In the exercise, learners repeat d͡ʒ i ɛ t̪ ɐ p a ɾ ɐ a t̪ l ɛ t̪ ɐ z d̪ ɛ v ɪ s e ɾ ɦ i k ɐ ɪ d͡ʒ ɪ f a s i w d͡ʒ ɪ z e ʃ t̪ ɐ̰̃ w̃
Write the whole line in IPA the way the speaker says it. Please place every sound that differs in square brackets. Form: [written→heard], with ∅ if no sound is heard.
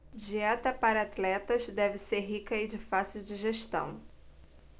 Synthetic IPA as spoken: d͡ʒ i ɛ t̪ ɐ p a ɾ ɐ a t̪ l ɛ t̪ ɐ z d̪ ɛ v ɪ s e ɾ ɦ i k ɐ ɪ d͡ʒ ɪ f a s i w d͡ʒ ɪ [z→ʒ] e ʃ t̪ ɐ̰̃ w̃